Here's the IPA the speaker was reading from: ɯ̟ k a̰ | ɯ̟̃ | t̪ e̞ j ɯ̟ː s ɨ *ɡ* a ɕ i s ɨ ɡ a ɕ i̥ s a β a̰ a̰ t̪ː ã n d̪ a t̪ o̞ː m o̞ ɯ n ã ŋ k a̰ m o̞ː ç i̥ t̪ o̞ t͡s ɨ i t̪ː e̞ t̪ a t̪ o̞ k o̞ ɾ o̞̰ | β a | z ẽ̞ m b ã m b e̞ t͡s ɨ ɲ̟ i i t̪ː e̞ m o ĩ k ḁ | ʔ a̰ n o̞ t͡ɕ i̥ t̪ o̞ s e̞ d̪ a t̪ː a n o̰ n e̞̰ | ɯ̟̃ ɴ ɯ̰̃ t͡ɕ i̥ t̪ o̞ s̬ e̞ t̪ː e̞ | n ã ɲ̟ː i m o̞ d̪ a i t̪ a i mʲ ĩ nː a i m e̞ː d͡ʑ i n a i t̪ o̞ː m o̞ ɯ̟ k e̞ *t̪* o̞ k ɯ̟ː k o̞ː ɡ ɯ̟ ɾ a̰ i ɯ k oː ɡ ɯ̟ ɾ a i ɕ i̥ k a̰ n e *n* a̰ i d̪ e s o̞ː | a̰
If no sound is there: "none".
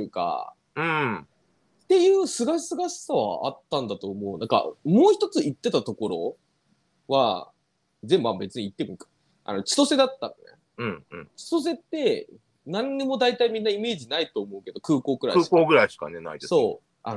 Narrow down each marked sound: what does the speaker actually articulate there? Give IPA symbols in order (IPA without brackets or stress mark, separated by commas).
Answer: ɡ, d̪, n